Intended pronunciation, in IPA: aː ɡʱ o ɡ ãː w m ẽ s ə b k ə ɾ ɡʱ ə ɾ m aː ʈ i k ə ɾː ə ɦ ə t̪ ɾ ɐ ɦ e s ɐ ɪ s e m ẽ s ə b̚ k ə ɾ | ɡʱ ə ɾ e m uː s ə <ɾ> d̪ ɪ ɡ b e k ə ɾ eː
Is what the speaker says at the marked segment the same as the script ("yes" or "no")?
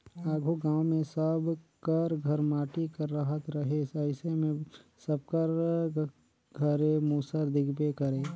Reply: yes